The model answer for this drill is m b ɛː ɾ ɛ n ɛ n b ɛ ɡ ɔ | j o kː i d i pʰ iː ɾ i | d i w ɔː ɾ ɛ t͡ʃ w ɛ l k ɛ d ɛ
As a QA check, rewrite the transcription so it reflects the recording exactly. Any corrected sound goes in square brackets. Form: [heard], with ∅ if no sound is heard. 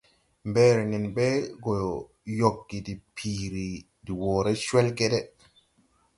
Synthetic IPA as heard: m b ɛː ɾ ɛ n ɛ n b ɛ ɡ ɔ | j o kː i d i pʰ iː ɾ i | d i w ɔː ɾ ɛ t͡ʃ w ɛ l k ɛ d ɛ